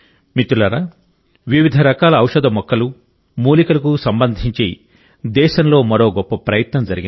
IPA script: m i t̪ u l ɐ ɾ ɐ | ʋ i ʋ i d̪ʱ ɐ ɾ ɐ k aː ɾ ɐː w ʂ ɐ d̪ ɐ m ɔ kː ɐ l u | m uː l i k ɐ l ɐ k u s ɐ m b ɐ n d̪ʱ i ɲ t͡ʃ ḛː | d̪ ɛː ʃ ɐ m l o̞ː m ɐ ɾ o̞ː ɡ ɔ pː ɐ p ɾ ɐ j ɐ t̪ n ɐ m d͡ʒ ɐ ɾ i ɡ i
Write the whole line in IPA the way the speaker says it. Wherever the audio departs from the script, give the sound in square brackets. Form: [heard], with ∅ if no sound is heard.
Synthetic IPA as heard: m i t̪ u l ɐ ɾ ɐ | ʋ i ʋ i d̪ʱ ɐ ɾ ɐ k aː [l] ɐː w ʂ ɐ d̪ ɐ m ɔ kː ɐ l u | m uː l i k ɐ l ɐ k u s ɐ m b ɐ n d̪ʱ i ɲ t͡ʃ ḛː | d̪ ɛː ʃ ɐ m l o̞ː m ɐ ɾ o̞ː ɡ ɔ pː ɐ p ɾ ɐ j ɐ t̪ n ɐ m d͡ʒ ɐ ɾ i ɡ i